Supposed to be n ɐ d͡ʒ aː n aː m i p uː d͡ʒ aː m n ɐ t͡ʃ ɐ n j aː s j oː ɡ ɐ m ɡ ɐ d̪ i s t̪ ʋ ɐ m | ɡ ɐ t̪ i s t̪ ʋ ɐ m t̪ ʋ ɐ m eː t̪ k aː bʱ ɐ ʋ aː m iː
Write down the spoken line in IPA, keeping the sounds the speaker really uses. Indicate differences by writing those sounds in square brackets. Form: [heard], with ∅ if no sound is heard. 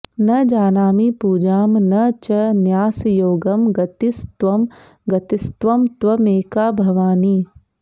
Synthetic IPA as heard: n ɐ d͡ʒ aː n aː m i p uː d͡ʒ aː m n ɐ t͡ʃ ɐ n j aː s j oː ɡ ɐ m ɡ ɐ [t̪] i s t̪ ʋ ɐ m | ɡ ɐ t̪ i s t̪ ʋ ɐ m t̪ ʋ ɐ m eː [∅] k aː bʱ ɐ ʋ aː [n] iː